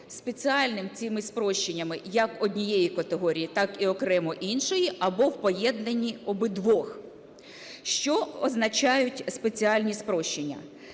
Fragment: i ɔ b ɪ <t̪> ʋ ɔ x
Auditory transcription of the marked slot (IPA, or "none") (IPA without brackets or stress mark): d̪